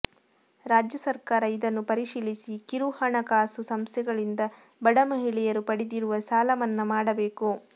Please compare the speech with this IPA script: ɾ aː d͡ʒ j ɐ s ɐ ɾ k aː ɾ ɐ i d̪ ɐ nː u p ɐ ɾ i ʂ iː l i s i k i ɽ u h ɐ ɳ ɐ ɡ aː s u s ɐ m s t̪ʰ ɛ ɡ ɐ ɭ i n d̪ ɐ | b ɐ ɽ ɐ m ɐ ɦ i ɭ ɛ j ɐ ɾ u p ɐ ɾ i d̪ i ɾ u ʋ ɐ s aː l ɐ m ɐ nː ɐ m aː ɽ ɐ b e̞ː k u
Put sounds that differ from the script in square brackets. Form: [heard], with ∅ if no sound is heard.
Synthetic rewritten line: ɾ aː d͡ʒ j ɐ s ɐ ɾ k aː ɾ ɐ i d̪ ɐ nː u p ɐ ɾ i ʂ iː l i s i k i [ɾ] u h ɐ ɳ ɐ [k] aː s u s ɐ m s t̪ʰ ɛ ɡ ɐ ɭ i n d̪ ɐ | b ɐ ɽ ɐ m ɐ ɦ i ɭ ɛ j ɐ ɾ u p ɐ [ɽ] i d̪ i ɾ u ʋ ɐ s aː l ɐ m ɐ nː ɐ m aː ɽ ɐ b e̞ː k u

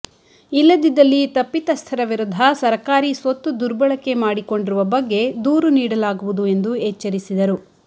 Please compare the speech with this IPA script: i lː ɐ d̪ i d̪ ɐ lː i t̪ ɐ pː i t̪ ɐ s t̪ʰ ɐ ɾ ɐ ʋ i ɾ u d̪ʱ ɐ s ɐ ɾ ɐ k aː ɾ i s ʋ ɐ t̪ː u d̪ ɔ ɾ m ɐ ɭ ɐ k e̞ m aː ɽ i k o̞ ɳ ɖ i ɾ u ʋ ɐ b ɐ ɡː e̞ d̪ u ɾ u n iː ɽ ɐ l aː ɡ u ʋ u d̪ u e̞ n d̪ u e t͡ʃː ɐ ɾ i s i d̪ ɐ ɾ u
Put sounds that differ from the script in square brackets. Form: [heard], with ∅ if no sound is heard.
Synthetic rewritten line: i lː ɐ d̪ i d̪ ɐ lː i t̪ ɐ pː i t̪ ɐ s t̪ʰ ɐ ɾ ɐ ʋ i ɾ u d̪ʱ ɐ s ɐ ɾ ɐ k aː ɾ i s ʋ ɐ t̪ː u d̪ [u] ɾ [b] ɐ ɭ ɐ k e̞ m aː ɽ i k o̞ ɳ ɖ i ɾ u ʋ ɐ b ɐ ɡː e̞ d̪ [uː] ɾ u n iː ɽ ɐ l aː ɡ u ʋ u d̪ u e̞ n d̪ u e t͡ʃː ɐ ɾ i s i d̪ ɐ ɾ u

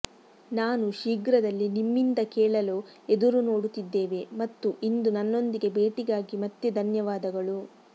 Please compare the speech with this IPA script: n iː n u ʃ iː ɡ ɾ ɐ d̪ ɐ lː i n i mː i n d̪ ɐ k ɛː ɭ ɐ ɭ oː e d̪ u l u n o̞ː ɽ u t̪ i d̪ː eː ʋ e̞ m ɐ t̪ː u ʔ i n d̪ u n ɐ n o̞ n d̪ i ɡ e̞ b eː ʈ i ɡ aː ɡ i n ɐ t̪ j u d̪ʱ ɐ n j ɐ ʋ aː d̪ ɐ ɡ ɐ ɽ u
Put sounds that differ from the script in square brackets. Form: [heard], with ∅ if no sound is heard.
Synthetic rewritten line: n [aː] n u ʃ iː ɡ ɾ ɐ d̪ ɐ lː i n i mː i n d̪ ɐ k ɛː ɭ ɐ [l] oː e d̪ u [ɾ] u n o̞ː ɽ u t̪ i d̪ː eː ʋ e̞ m ɐ t̪ː u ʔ i n d̪ u n ɐ [nː] o̞ n d̪ i ɡ e̞ b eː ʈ i ɡ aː ɡ i [m] ɐ t̪ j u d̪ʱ ɐ n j ɐ ʋ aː d̪ ɐ ɡ ɐ [ɭ] u

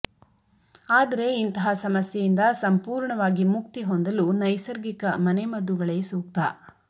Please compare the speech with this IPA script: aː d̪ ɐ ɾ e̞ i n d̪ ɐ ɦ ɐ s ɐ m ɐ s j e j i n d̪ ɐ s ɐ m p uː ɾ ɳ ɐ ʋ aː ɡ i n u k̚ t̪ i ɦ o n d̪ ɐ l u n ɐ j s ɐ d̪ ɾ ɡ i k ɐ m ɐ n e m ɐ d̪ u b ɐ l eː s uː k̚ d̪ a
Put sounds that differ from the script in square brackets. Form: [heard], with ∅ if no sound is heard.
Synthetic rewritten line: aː d̪ ɐ ɾ e̞ i n [t̪] ɐ ɦ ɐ s ɐ m ɐ s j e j i n d̪ ɐ s ɐ m p uː ɾ ɳ ɐ ʋ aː ɡ i [m] u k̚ t̪ i ɦ o n d̪ ɐ l u n ɐ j s ɐ [∅] ɾ ɡ i k ɐ m ɐ n e m ɐ d̪ u [ɡ] ɐ [ɭ] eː s uː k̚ [t̪] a

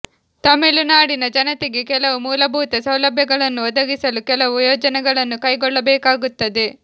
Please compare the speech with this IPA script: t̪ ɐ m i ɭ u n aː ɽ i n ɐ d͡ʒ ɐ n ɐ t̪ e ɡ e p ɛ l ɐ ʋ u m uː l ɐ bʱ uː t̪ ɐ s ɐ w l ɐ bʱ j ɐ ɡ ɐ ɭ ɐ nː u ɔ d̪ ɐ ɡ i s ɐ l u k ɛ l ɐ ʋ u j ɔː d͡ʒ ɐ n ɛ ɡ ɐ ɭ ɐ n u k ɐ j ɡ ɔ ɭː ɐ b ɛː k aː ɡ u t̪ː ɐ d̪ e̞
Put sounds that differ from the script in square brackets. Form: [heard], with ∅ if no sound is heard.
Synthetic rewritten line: t̪ ɐ m i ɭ u n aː ɽ i n ɐ d͡ʒ ɐ n ɐ t̪ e ɡ e [k] ɛ l ɐ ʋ u m uː l ɐ bʱ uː t̪ ɐ s ɐ w l ɐ bʱ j ɐ ɡ ɐ ɭ ɐ nː u ɔ d̪ ɐ ɡ i s ɐ l u k ɛ l ɐ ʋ u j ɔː d͡ʒ ɐ n ɛ ɡ ɐ ɭ ɐ [nː] u k ɐ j ɡ ɔ ɭː ɐ b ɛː k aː ɡ u t̪ː ɐ d̪ e̞

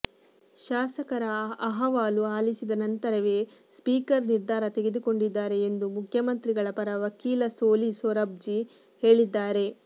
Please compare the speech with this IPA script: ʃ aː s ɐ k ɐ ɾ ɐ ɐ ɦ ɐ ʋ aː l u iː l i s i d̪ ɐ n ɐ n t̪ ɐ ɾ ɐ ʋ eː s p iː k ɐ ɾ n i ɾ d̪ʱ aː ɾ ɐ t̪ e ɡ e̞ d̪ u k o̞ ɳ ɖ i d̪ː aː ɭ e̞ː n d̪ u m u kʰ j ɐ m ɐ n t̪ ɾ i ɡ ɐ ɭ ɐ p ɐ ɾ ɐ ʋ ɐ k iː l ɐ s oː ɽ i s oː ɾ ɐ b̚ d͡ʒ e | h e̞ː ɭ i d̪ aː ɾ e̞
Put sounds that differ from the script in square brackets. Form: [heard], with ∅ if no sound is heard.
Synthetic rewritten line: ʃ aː s ɐ k ɐ ɾ ɐ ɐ ɦ ɐ ʋ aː l u [aː] l i s i d̪ ɐ n ɐ n t̪ ɐ ɾ ɐ ʋ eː s p iː k ɐ ɾ n i ɾ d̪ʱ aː ɾ ɐ t̪ e ɡ e̞ d̪ u k o̞ ɳ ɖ i d̪ː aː [ɾ] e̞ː n d̪ u m u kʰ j ɐ m ɐ n t̪ ɾ i ɡ ɐ ɭ ɐ p ɐ ɾ ɐ ʋ ɐ k iː l ɐ s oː [l] i s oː ɾ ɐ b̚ d͡ʒ [i] | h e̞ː ɭ i [d̪ː] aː ɾ e̞

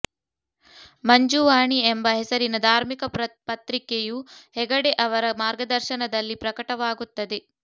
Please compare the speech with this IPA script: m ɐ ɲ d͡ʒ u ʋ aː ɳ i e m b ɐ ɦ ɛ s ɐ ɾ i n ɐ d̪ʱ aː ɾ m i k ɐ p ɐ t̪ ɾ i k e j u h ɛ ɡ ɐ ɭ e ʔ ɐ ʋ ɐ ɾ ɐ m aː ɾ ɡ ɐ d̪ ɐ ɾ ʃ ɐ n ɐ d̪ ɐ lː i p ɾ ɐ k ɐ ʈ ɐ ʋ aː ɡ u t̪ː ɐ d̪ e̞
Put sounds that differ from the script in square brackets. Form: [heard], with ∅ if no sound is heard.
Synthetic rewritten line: m ɐ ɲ d͡ʒ u ʋ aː ɳ i e m b ɐ ɦ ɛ s ɐ ɾ i n ɐ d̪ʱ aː ɾ m i k ɐ p ɐ t̪ ɾ i k e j u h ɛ ɡ ɐ [ɽ] e ʔ ɐ ʋ ɐ ɾ ɐ m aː ɾ ɡ ɐ d̪ ɐ ɾ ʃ ɐ n ɐ d̪ ɐ lː i p ɾ ɐ k ɐ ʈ ɐ ʋ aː ɡ u t̪ː ɐ d̪ e̞

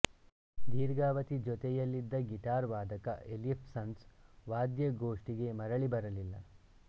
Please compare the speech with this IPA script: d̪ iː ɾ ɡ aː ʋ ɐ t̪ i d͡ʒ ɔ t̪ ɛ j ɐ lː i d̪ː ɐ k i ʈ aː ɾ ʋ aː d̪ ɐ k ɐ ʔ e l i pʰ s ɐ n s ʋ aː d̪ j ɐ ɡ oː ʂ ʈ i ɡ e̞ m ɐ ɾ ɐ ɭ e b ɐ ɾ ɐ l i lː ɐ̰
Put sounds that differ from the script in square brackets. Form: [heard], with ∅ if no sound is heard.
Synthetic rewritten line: d̪ iː ɾ ɡ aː ʋ ɐ t̪ i d͡ʒ ɔ t̪ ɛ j ɐ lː i d̪ː ɐ [ɡ] i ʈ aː ɾ ʋ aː d̪ ɐ k ɐ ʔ e l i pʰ s ɐ n s ʋ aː d̪ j ɐ ɡ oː ʂ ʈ i ɡ e̞ m ɐ ɾ ɐ ɭ [i] b ɐ ɾ ɐ l i lː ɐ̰

